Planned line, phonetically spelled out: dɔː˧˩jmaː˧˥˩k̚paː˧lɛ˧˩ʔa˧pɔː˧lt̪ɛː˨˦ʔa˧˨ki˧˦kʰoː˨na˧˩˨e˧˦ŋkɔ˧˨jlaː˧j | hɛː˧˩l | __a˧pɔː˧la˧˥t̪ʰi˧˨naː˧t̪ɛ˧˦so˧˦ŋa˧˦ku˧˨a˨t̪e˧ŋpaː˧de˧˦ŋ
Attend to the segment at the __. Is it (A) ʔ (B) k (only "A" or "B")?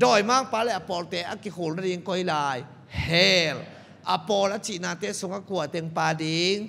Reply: A